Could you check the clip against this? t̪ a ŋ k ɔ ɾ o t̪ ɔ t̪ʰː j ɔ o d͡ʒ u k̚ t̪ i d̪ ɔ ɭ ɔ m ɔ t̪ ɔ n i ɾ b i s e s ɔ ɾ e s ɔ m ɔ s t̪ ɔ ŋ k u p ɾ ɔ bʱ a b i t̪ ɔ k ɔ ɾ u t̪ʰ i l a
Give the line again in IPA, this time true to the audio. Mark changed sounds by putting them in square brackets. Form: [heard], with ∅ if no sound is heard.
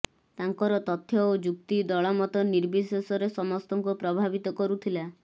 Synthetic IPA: t̪ a ŋ k ɔ ɾ [ɔ] t̪ ɔ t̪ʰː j ɔ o d͡ʒ u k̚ t̪ i d̪ ɔ ɭ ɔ m ɔ t̪ ɔ n i ɾ b i s e s ɔ ɾ e s ɔ m ɔ s t̪ ɔ ŋ k u p ɾ ɔ bʱ a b i t̪ ɔ k ɔ ɾ u t̪ʰ i l a